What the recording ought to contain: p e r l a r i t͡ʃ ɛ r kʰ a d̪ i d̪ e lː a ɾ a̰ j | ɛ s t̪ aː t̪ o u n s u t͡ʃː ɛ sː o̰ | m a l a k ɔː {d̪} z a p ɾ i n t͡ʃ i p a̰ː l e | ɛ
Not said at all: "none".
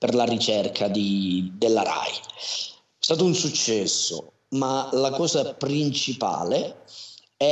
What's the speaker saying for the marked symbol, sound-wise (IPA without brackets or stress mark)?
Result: none